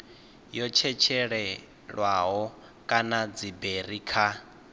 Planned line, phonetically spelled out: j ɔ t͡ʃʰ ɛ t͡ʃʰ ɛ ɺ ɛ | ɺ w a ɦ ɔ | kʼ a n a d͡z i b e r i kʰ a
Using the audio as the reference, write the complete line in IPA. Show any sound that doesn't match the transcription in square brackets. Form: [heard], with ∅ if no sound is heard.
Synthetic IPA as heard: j ɔ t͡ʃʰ ɛ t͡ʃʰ ɛ ɺ ɛ | ɺ w a ɦ ɔ | kʼ a n a d͡z i b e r i kʰ a